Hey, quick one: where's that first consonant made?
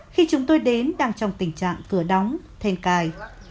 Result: velum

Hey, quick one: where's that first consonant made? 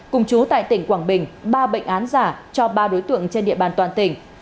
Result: velum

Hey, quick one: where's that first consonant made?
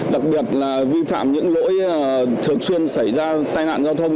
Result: tongue tip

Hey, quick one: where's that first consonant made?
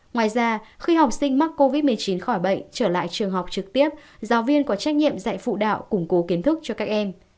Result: velum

